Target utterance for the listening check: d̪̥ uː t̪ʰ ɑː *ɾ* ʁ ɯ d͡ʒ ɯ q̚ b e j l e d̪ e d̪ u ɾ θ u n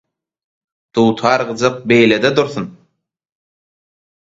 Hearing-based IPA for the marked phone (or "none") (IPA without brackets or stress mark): ɾ